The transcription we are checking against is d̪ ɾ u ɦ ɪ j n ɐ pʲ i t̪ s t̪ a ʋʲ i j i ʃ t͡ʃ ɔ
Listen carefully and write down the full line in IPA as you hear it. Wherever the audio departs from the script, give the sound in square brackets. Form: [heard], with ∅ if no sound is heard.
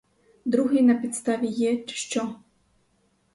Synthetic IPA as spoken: d̪ ɾ u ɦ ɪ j n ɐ pʲ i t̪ s t̪ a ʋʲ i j [ɛ] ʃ t͡ʃ ɔ